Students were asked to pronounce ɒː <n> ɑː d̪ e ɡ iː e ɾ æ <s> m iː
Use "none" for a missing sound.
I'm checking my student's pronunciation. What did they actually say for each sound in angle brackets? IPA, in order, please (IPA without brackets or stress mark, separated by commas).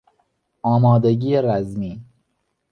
m, z